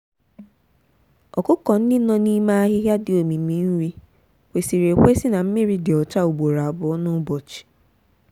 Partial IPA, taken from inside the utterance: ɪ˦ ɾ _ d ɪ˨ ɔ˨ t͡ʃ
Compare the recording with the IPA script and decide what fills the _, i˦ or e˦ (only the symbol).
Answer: i˦